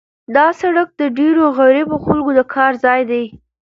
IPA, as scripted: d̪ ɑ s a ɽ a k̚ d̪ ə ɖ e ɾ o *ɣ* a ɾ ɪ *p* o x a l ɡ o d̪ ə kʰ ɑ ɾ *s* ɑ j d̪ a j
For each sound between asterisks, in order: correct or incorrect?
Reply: correct, incorrect, incorrect

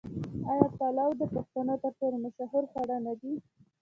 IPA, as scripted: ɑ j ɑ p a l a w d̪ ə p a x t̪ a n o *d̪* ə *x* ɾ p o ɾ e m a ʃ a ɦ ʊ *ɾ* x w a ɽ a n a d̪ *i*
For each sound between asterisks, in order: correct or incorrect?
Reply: incorrect, incorrect, correct, correct

